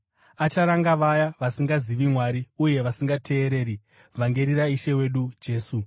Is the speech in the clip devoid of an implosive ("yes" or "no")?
no